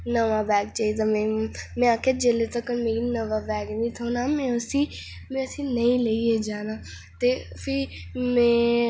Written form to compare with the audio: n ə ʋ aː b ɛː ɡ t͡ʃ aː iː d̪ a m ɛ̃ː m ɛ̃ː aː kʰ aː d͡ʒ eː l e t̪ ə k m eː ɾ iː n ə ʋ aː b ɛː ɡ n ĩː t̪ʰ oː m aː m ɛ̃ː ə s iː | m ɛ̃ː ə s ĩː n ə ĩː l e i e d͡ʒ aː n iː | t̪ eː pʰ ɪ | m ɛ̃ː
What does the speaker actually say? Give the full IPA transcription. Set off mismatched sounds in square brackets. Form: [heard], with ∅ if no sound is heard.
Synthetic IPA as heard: n ə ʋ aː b ɛː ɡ t͡ʃ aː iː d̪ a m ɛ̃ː m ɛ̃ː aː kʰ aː d͡ʒ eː l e t̪ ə k m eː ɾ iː n ə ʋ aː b ɛː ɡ n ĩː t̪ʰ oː [n] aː m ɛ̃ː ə s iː | m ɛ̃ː ə s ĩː n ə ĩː l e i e d͡ʒ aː n [aː] | t̪ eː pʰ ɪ | m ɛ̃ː